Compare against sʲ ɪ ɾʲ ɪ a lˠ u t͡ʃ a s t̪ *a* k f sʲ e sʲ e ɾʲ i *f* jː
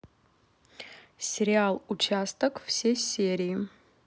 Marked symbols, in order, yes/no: no, no

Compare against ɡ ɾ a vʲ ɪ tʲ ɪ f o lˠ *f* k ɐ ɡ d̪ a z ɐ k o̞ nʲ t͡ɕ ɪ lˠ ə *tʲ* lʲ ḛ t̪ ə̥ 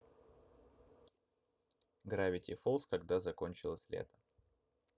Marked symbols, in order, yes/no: no, no

